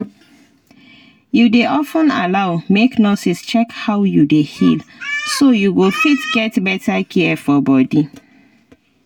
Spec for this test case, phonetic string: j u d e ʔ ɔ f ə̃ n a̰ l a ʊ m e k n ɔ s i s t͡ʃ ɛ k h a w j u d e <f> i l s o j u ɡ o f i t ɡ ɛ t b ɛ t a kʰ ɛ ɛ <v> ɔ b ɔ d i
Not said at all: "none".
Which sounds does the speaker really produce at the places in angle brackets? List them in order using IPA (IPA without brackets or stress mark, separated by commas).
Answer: h, f